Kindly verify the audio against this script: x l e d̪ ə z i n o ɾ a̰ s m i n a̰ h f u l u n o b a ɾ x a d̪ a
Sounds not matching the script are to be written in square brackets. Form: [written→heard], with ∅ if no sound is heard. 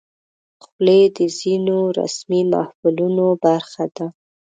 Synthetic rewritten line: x l e d̪ ə z i n o ɾ a̰ s m i [n→m] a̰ h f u l u n o b a ɾ x a d̪ a